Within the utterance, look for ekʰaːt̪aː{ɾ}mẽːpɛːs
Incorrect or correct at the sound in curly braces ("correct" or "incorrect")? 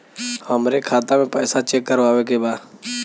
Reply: incorrect